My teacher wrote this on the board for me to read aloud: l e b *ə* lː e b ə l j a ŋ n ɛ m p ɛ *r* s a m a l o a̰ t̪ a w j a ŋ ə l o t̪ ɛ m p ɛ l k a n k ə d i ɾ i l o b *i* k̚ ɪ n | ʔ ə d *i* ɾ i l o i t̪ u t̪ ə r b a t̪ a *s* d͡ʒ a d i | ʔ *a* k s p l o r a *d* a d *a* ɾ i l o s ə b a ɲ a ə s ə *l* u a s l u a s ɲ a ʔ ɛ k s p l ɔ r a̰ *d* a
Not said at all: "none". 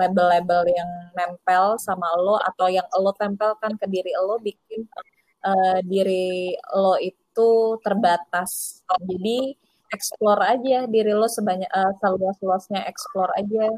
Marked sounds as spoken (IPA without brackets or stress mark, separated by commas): ə, l, i, i, s, ɛ, d͡ʒ, i, l, d͡ʒ